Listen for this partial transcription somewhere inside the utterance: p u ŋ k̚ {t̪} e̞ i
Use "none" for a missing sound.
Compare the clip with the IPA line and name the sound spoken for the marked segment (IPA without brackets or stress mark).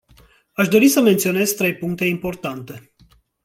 t̪